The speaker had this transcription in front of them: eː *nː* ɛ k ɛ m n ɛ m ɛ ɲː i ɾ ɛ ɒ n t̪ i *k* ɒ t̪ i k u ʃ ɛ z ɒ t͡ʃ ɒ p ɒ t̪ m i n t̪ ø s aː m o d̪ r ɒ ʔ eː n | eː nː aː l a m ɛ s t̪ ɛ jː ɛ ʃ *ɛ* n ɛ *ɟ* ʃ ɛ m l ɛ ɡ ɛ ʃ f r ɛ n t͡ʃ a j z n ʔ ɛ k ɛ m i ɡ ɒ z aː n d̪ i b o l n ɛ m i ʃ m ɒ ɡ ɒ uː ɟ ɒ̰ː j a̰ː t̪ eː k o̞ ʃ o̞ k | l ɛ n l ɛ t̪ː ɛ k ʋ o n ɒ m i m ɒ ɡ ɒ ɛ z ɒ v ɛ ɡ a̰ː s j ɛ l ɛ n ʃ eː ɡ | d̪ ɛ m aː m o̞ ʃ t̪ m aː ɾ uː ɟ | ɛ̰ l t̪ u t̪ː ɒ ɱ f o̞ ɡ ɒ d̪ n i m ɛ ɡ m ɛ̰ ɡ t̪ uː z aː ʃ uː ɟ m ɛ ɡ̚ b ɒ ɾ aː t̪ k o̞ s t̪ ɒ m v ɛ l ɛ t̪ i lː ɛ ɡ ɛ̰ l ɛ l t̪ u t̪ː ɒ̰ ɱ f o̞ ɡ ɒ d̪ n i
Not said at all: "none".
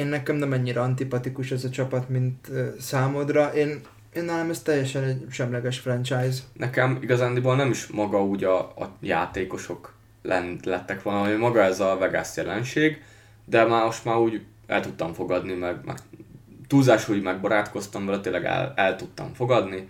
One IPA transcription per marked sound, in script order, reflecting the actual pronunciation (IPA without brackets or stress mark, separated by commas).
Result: nː, p, ɛ, ɟ